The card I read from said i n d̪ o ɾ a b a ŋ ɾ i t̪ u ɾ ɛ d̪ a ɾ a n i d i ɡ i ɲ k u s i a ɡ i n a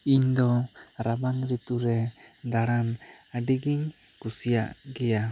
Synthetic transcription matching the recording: i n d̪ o ɾ a b a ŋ ɾ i t̪ u ɾ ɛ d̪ a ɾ a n a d i ɡ i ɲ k u s i a ɡ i a